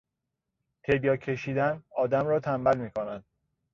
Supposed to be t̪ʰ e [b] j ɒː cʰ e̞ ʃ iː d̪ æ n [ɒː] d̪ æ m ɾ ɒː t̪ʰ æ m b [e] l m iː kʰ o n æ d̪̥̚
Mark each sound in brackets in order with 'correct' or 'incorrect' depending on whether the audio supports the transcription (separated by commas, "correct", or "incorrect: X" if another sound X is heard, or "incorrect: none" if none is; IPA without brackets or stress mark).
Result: correct, correct, incorrect: æ